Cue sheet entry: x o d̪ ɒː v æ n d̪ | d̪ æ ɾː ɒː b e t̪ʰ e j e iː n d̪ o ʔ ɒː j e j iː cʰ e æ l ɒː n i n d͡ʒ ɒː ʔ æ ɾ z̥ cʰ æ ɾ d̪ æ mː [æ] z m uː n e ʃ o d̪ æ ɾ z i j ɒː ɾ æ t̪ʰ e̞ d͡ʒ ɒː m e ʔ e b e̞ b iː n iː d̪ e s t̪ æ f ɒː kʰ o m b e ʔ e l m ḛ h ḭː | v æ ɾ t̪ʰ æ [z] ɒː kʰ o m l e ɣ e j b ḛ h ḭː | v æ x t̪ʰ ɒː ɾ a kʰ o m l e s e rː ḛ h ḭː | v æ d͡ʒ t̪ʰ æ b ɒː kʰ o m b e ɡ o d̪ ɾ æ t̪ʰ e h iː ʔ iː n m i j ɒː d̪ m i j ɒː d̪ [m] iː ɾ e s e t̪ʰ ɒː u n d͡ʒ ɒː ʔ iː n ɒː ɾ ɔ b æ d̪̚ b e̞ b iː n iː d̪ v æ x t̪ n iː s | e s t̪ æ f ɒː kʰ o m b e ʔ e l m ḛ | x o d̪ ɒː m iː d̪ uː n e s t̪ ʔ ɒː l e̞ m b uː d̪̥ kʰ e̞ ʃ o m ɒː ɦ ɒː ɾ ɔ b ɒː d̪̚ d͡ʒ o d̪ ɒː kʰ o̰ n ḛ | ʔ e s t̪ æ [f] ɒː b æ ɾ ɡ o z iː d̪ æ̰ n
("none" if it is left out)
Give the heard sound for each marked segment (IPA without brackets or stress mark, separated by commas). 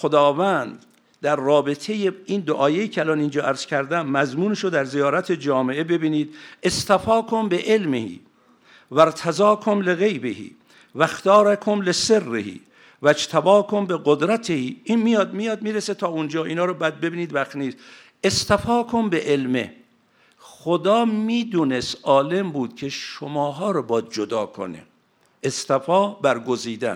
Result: æ, z, m, f